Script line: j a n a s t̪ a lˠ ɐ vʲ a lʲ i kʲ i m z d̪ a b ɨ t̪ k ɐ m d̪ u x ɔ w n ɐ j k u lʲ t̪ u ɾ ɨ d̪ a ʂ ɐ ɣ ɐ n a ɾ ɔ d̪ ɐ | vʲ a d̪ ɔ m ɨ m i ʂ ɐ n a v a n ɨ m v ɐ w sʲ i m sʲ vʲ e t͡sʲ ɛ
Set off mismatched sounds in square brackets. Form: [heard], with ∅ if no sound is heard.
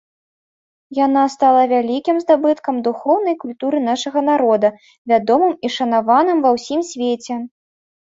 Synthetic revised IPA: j a n a s t̪ a lˠ ɐ vʲ a lʲ i kʲ i m z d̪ a b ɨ t̪ k ɐ m d̪ u x ɔ w n ɐ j k u lʲ t̪ u ɾ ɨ [n̪] a ʂ ɐ ɣ ɐ n a ɾ ɔ d̪ ɐ | vʲ a d̪ ɔ m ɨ m i ʂ ɐ n a v a n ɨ m v ɐ w sʲ i m sʲ vʲ e t͡sʲ ɛ